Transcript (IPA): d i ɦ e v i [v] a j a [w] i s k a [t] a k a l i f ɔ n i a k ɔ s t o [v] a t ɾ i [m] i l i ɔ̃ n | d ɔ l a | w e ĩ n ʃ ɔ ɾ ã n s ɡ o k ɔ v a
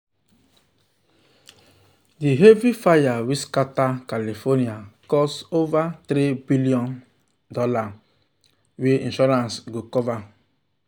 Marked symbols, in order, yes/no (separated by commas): no, yes, yes, yes, no